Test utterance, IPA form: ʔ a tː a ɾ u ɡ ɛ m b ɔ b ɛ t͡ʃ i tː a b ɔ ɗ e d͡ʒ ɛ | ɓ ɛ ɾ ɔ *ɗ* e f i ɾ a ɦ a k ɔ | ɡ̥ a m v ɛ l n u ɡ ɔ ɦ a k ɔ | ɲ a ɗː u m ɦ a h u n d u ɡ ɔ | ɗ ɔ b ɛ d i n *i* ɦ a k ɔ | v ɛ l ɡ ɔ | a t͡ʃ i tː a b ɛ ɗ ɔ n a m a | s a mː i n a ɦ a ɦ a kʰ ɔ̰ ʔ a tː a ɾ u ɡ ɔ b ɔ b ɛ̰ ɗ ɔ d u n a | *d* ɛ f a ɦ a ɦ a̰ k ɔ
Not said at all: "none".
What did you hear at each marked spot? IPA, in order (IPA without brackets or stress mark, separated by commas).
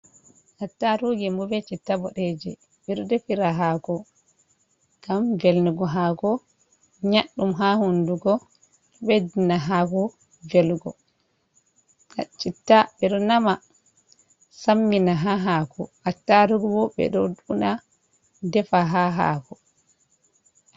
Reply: d, a, d